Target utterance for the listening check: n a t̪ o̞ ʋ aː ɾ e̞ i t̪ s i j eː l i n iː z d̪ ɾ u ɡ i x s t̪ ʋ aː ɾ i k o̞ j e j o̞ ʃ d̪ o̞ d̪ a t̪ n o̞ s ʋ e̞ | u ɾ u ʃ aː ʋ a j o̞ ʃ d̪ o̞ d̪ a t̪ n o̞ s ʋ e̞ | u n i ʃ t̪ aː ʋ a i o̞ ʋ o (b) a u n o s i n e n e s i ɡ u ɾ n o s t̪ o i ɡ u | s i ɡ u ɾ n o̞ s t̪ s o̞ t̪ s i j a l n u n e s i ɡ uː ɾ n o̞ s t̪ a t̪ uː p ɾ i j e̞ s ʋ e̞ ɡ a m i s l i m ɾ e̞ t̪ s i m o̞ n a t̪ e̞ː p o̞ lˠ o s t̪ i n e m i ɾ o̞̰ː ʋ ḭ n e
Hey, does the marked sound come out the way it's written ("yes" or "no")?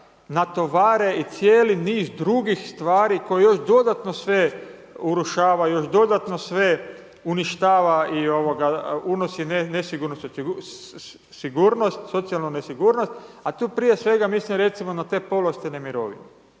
no